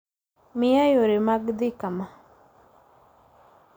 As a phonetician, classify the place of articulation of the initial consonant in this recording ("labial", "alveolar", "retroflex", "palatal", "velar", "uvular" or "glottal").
labial